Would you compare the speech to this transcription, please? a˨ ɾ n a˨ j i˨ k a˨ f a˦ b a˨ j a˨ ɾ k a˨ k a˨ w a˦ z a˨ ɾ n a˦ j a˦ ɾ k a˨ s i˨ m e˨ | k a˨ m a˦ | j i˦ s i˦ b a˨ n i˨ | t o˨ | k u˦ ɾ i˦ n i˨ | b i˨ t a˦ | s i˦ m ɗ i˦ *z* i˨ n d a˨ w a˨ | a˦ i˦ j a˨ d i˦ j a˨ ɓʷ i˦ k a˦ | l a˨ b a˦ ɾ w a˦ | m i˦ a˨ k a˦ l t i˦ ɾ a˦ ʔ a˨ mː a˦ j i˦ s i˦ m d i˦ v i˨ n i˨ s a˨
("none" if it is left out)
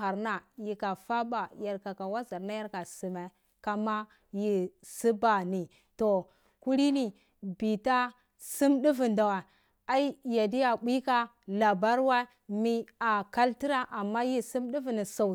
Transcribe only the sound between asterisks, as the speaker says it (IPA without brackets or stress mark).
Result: v